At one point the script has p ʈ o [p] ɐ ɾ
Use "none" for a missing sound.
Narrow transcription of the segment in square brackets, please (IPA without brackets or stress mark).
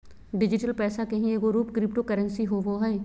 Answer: k